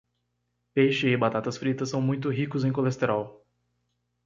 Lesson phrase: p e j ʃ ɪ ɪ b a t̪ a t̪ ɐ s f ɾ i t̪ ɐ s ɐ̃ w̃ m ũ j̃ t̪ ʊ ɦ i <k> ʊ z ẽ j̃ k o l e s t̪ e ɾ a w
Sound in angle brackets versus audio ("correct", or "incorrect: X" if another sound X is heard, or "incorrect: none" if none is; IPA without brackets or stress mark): correct